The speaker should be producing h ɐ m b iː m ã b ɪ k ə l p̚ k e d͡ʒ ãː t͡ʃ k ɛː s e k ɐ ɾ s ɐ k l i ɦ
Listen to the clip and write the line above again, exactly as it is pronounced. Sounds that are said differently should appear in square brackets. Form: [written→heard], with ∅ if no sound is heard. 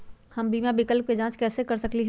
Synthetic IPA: h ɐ m b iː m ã b ɪ k ə l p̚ k e d͡ʒ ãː t͡ʃ k ɛː s e k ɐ ɾ s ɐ k l i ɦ